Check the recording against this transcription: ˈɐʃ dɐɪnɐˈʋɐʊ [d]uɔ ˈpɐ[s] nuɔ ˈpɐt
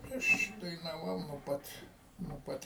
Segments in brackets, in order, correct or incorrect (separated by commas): incorrect, incorrect